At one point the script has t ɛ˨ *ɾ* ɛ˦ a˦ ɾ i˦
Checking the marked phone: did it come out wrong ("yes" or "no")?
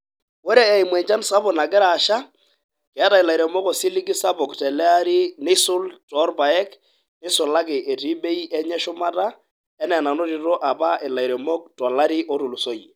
yes